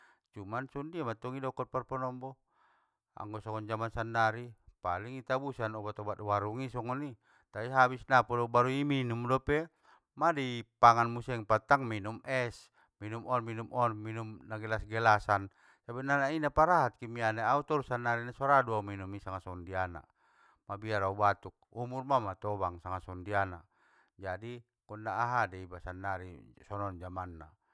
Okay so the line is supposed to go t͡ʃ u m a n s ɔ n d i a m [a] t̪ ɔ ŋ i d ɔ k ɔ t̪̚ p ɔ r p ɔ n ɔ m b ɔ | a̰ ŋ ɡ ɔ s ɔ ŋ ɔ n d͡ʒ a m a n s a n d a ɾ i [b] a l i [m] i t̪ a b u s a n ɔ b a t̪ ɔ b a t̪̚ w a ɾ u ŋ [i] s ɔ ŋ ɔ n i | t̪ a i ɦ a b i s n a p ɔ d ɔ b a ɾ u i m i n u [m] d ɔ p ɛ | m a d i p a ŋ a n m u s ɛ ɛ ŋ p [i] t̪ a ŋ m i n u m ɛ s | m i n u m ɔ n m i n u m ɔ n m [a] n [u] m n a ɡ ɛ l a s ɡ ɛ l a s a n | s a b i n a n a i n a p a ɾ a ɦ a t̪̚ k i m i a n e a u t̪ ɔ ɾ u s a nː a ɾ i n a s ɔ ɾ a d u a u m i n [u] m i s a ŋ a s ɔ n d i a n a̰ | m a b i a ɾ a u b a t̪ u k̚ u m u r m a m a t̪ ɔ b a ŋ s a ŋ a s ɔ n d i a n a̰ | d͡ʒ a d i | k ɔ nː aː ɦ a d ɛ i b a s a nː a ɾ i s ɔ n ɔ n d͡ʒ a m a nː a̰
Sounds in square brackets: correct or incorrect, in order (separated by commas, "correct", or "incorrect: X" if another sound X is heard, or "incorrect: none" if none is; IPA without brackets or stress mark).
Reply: correct, incorrect: p, incorrect: ŋ, correct, correct, incorrect: a, incorrect: i, correct, correct